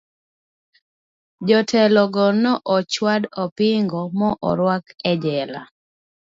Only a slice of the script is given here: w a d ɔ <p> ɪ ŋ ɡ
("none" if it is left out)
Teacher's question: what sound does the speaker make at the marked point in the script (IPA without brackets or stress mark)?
p